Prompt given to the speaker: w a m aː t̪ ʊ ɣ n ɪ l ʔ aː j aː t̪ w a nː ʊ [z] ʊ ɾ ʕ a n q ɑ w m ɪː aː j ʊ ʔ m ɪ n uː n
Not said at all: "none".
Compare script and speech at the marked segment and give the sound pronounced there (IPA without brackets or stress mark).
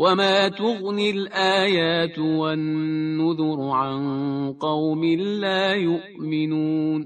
ð